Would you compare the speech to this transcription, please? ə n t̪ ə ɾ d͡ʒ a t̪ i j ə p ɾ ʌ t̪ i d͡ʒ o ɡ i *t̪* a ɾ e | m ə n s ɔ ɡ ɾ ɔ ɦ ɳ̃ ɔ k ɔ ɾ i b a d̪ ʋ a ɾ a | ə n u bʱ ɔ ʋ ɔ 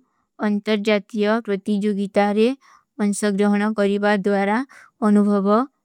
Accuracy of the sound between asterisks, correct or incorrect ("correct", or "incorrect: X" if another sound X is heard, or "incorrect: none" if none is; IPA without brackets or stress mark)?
correct